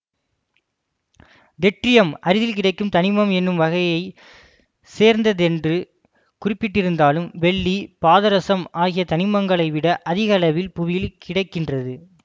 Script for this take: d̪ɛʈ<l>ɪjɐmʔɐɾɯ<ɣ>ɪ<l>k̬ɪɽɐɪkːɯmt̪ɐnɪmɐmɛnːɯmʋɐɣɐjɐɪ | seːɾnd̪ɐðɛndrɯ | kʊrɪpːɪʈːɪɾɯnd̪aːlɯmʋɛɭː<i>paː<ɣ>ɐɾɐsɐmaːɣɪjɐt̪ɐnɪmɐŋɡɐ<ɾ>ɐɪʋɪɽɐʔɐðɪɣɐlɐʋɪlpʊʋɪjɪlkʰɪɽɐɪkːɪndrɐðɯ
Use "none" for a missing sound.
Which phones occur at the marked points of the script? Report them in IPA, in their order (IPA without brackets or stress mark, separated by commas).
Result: r, ð, l, i, ð, ɭ